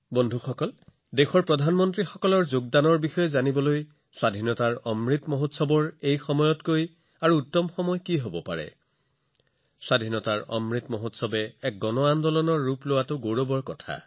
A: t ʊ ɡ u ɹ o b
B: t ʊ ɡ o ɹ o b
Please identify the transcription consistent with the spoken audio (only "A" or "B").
B